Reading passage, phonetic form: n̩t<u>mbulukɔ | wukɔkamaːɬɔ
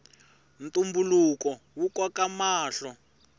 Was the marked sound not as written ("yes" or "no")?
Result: no